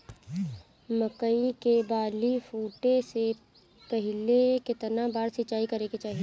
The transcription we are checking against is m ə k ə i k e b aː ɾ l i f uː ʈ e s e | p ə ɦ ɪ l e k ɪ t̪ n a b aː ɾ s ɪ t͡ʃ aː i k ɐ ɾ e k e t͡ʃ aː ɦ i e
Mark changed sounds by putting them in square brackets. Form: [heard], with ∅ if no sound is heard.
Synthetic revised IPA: m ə k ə i k e b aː [∅] l i f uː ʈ e s e | p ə ɦ ɪ l e k ɪ t̪ n a b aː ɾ s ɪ t͡ʃ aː i k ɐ ɾ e k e t͡ʃ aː ɦ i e